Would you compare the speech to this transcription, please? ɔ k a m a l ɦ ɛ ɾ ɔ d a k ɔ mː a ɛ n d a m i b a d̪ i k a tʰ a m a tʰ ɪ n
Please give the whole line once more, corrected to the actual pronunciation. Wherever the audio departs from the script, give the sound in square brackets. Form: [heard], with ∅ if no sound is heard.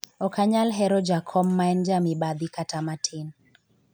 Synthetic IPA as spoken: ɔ k a [ɲ] a l ɦ ɛ ɾ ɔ [d͡ʒ] a [kʰ] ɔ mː a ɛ n [d͡ʒ] a m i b a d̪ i k a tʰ a m a tʰ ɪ n